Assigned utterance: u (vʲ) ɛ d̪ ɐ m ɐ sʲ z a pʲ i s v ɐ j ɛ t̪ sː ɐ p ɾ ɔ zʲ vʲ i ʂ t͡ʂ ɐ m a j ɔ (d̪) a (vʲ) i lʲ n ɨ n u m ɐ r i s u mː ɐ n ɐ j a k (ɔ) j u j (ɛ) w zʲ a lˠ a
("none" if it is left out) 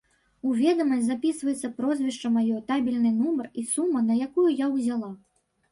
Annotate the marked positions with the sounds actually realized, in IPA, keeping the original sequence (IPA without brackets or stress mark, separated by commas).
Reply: vʲ, t̪, bʲ, u, a